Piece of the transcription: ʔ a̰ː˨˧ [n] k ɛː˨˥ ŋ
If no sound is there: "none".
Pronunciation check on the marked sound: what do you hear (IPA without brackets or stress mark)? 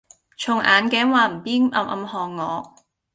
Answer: n